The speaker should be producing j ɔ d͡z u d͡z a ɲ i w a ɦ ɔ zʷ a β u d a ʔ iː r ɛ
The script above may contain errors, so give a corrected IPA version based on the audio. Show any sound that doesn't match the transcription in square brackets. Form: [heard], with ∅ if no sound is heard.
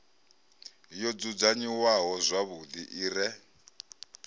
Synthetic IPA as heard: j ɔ d͡z u d͡z a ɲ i w a ɦ ɔ zʷ a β u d [i] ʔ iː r ɛ